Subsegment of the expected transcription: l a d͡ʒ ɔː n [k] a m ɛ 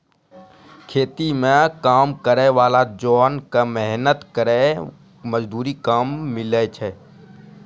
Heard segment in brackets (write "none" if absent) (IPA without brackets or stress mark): k